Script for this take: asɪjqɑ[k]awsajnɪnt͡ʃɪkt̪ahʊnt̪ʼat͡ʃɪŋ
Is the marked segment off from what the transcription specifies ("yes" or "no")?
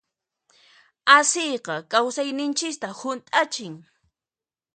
no